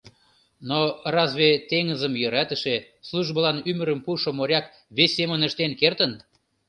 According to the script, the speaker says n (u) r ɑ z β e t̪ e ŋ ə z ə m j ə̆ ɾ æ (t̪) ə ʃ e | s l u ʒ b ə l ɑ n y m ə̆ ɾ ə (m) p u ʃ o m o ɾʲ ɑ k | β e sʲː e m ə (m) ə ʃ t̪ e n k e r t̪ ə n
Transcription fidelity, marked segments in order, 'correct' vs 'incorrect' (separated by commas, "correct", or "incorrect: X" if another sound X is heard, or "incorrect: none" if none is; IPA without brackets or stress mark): incorrect: o, correct, correct, incorrect: n